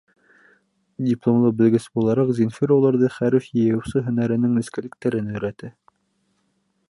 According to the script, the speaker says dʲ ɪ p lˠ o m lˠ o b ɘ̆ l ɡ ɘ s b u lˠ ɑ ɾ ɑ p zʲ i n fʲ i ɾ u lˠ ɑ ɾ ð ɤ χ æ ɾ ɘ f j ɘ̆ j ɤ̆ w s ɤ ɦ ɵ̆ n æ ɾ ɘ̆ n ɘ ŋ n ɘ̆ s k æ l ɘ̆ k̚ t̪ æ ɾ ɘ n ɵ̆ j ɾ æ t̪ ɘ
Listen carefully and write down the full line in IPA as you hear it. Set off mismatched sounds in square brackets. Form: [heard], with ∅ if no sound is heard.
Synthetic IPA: dʲ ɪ p lˠ o m lˠ [ɤ] b ɘ̆ l ɡ ɘ s b u lˠ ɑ ɾ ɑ [q] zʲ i n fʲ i ɾ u lˠ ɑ ɾ ð ɤ χ æ ɾ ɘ f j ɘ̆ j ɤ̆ w s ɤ ɦ ɵ̆ n æ ɾ ɘ̆ n ɘ ŋ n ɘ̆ s k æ l ɘ̆ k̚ t̪ æ ɾ ɘ n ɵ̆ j ɾ æ t̪ ɘ